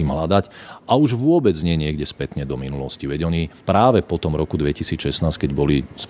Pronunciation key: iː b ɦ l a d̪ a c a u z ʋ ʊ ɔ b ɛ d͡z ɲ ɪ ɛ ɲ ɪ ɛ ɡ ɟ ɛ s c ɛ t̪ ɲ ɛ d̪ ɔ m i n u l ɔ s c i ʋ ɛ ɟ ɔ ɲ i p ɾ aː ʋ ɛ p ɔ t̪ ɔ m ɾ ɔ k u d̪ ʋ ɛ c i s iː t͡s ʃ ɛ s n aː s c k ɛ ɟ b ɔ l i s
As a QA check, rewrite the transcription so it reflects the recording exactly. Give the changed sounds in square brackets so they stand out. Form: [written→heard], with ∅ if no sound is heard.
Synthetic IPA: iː [b→m] ɦ l a d̪ a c a u [z→ʒ] ʋ ʊ ɔ b ɛ d͡z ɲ ɪ ɛ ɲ ɪ ɛ ɡ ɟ ɛ s [c→p] ɛ t̪ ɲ ɛ d̪ ɔ m i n u l ɔ s c i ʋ ɛ ɟ ɔ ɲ i p ɾ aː ʋ ɛ p ɔ t̪ ɔ m ɾ ɔ k u d̪ ʋ ɛ c i s iː t͡s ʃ ɛ s n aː s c k ɛ ɟ b ɔ l i s